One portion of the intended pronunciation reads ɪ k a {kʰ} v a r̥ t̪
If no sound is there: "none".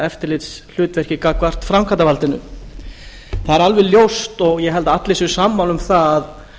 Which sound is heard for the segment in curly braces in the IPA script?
k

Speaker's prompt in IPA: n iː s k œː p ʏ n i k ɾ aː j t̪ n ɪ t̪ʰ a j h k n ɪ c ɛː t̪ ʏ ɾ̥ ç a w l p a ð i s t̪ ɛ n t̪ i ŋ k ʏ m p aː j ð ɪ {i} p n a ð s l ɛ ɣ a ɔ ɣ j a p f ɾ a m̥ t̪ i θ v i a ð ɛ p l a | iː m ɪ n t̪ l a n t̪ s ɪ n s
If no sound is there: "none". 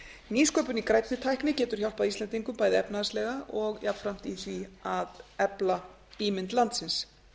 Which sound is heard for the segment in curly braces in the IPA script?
ɛ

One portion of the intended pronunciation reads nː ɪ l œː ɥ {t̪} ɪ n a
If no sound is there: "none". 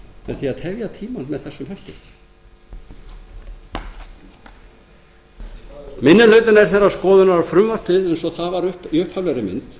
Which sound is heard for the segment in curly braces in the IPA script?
t̪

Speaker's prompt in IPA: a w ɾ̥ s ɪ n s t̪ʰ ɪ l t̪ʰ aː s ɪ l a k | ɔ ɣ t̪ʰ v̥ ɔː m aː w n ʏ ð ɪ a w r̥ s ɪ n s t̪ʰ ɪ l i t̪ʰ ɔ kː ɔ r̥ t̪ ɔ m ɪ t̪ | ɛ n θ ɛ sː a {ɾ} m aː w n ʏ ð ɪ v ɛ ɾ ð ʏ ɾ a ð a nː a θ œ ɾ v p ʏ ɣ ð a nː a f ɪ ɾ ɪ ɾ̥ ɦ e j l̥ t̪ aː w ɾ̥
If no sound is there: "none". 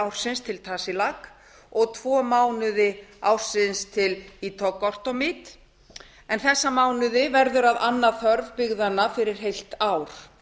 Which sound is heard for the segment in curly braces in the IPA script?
none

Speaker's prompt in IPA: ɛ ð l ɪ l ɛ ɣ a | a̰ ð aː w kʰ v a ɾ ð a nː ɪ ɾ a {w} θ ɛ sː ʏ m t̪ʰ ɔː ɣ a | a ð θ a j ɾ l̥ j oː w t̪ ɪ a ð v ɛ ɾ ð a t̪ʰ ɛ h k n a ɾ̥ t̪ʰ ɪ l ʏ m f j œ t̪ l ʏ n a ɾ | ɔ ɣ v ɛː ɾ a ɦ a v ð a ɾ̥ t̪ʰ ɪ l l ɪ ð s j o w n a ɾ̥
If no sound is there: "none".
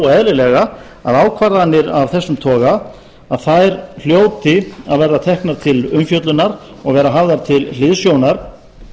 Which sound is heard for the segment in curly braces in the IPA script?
v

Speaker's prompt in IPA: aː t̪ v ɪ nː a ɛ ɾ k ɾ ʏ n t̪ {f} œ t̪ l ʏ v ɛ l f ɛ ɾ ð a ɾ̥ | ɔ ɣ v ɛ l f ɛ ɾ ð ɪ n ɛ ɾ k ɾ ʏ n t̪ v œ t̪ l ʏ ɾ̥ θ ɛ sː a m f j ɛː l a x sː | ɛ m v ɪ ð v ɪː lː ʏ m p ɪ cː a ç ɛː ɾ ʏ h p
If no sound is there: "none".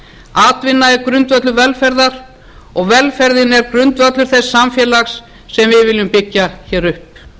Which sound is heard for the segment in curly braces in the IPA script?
v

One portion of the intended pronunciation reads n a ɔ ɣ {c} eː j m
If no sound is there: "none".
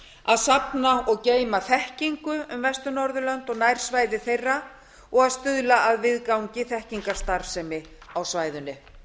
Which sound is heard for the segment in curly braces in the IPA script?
c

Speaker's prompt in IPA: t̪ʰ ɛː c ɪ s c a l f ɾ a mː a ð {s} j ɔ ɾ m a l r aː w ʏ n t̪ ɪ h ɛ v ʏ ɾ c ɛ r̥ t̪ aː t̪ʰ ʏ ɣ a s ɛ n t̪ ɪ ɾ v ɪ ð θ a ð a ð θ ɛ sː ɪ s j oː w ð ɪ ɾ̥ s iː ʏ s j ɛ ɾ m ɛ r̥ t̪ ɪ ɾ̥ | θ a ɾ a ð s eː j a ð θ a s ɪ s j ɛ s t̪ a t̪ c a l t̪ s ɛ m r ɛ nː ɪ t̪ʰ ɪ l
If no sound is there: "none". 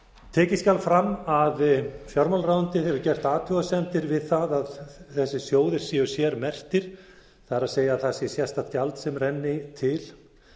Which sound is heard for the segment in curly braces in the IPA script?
f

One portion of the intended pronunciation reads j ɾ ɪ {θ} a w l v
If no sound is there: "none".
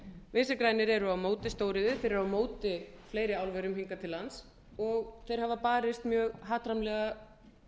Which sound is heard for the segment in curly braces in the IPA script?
none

